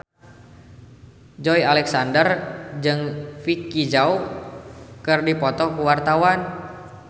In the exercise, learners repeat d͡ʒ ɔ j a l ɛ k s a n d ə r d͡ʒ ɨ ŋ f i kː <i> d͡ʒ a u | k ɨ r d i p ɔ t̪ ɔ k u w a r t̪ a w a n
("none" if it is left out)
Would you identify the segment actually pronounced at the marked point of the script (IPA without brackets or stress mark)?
i